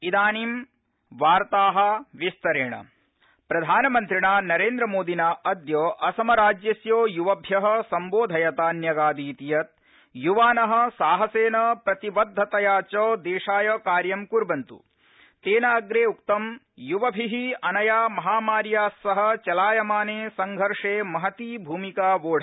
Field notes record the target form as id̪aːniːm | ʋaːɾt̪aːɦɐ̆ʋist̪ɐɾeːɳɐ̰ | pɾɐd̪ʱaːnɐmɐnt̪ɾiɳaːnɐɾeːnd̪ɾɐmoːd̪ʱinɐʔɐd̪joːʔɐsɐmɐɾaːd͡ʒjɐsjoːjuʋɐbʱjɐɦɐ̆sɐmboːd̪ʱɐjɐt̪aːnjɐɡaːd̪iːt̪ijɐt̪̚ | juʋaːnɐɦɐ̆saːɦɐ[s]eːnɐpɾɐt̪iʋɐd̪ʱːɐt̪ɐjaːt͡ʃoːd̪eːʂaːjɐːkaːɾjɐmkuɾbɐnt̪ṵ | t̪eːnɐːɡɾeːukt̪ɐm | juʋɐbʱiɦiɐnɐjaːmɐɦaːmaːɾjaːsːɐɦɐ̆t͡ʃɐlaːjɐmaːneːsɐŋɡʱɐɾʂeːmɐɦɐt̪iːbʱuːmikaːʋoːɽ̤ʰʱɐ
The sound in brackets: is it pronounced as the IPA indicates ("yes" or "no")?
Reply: yes